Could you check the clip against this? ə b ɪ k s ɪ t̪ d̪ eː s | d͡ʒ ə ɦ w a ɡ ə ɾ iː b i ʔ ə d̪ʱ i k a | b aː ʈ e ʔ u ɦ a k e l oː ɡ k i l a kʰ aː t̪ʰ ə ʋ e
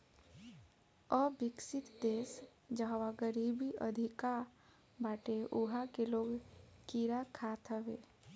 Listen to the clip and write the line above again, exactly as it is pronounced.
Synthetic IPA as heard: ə b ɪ k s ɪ t̪ d̪ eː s | d͡ʒ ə ɦ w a ɡ ə ɾ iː b i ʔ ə d̪ʱ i k a | b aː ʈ e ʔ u ɦ a k e l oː ɡ k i ɾ a kʰ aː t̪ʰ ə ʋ e